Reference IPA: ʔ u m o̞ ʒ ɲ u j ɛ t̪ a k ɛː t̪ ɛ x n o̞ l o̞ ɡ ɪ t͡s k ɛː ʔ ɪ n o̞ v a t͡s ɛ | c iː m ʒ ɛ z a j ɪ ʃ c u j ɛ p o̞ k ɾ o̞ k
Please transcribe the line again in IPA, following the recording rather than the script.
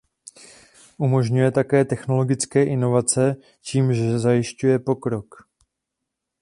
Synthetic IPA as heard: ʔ u m o̞ ʒ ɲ u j ɛ t̪ a k ɛː t̪ ɛ x n o̞ l o̞ ɡ ɪ t͡s k ɛː ʔ ɪ n o̞ v a t͡s ɛ | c iː m ʒ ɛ z a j ɪ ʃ c u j ɛ p o̞ k ɾ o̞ k